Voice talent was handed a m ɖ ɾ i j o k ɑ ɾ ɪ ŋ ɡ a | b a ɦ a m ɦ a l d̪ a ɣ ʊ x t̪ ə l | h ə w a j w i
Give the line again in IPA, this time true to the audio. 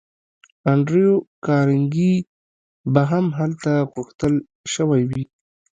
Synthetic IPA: a ɳ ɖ ɾ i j o k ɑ ɾ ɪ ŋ ɡ i | b a ɦ a m ɦ a l t̪ a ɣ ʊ x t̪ ə l | ʃ ə w a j w i